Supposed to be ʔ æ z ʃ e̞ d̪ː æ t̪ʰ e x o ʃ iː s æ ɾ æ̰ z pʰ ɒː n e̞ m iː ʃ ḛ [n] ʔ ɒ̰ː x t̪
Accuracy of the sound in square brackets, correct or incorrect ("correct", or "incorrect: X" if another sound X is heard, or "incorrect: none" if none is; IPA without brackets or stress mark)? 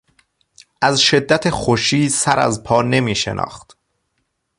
correct